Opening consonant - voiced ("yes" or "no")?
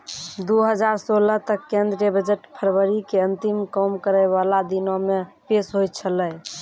yes